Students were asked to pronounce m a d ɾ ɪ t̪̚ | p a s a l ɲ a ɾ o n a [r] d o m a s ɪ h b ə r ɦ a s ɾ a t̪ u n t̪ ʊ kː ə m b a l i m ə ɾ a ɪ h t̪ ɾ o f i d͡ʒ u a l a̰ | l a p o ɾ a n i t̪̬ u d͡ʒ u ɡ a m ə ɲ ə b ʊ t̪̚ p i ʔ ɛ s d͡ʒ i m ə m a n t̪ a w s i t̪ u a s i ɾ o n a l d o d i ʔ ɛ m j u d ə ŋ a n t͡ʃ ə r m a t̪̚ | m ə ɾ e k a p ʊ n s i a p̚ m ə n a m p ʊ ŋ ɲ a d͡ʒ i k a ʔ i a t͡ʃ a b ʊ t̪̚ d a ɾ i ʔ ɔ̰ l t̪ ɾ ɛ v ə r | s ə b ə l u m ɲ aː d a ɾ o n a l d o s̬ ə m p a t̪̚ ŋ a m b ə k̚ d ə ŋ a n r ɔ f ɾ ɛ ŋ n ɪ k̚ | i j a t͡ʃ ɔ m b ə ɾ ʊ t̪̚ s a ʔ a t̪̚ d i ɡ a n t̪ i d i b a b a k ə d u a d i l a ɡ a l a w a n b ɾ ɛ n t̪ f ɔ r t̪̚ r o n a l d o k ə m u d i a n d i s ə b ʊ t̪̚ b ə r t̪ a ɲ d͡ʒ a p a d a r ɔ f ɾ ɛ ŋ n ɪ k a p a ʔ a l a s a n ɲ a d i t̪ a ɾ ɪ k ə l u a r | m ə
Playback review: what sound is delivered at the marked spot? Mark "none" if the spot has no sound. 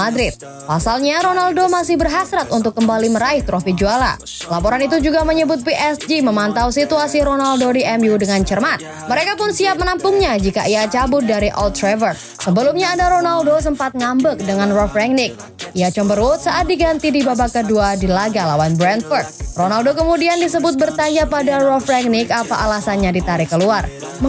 l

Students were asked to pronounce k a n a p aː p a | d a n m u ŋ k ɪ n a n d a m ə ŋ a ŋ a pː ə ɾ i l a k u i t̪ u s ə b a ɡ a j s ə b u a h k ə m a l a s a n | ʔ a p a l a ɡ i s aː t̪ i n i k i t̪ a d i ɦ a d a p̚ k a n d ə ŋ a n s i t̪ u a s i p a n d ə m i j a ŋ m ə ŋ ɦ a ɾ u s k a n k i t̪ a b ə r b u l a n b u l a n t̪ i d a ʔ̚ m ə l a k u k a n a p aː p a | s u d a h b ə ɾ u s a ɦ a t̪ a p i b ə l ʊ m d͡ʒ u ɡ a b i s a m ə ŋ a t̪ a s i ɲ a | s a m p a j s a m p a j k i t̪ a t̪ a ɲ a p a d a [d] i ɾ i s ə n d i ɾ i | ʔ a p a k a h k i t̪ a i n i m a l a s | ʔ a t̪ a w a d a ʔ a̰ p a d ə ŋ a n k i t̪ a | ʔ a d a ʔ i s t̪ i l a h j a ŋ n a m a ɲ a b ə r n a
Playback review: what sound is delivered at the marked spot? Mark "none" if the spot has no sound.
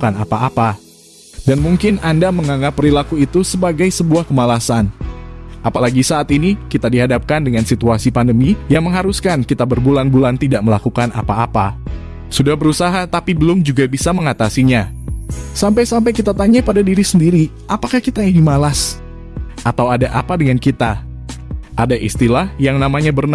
d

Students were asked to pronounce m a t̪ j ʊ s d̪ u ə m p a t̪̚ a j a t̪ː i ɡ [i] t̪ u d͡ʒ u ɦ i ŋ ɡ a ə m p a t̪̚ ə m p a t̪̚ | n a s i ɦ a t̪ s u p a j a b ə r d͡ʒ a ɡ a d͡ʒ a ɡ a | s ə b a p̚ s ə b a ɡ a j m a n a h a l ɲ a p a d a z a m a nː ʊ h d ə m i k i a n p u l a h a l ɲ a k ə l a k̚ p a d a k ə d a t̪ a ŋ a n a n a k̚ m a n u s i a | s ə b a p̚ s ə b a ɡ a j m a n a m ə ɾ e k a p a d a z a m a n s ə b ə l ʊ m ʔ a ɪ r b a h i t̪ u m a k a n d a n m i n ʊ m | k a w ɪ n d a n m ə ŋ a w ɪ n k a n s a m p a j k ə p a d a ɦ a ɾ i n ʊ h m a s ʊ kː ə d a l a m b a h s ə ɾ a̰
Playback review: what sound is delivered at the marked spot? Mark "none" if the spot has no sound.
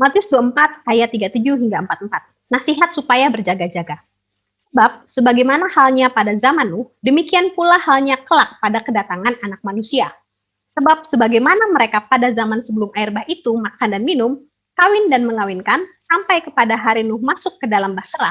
a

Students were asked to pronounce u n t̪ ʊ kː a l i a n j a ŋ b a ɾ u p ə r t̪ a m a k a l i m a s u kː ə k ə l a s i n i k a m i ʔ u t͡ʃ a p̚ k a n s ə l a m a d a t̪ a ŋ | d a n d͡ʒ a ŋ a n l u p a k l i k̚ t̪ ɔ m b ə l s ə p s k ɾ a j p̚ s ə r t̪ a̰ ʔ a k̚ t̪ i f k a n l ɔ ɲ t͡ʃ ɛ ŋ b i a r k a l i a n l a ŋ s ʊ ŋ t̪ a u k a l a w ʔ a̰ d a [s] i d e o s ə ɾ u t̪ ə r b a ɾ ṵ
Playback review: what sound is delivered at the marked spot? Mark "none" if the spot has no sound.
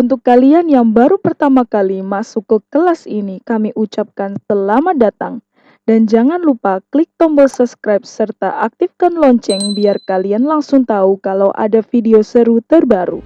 f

